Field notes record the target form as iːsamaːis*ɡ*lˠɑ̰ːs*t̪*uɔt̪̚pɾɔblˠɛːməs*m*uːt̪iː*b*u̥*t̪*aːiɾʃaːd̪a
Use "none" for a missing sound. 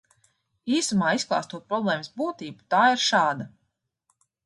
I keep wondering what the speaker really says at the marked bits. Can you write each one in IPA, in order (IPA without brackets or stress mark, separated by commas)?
k, t̪, b, b, t̪